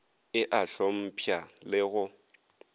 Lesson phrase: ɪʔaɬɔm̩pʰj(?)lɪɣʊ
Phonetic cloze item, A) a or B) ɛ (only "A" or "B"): A